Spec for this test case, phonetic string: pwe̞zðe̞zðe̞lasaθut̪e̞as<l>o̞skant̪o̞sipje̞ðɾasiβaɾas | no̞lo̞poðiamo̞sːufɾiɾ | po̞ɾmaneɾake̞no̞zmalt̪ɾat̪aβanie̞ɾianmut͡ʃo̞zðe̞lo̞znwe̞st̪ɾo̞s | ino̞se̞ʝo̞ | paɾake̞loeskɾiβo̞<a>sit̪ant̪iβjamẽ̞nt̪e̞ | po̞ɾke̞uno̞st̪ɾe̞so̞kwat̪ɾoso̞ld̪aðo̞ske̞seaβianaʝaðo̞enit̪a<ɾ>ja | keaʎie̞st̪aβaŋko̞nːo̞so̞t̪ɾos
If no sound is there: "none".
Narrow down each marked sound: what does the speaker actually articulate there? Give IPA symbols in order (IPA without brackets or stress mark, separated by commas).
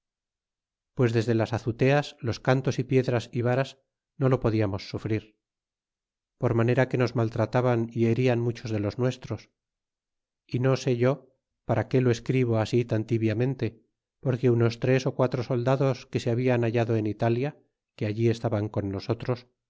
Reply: l, a, l